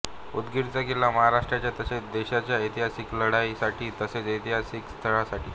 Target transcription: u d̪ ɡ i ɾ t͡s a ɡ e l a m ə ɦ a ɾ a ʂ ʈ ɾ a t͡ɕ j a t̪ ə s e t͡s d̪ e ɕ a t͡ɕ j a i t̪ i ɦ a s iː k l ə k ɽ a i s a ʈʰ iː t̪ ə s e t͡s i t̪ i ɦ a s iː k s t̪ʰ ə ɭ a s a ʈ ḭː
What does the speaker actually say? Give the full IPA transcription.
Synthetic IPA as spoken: u d̪ ɡ i ɾ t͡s a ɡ e l a m ə ɦ a ɾ a ʂ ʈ ɾ a t͡ɕ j a t̪ ə s e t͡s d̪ e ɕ a t͡ɕ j a i t̪ i ɦ a s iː k l ə ɽ a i s a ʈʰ iː t̪ ə s e t͡s i t̪ i ɦ a s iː k s t̪ʰ ə ɭ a s a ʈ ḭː